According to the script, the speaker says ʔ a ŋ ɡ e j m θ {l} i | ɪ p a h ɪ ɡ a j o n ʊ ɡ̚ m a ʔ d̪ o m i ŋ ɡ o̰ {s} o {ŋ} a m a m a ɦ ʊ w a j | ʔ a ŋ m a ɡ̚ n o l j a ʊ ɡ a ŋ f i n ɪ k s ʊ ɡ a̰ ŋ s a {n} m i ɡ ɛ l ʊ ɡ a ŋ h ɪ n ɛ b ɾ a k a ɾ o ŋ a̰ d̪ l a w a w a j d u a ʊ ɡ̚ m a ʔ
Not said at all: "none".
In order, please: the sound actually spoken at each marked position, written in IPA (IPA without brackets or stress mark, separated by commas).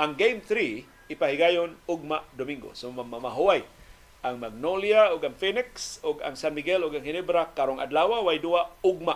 ɾ, s, m, n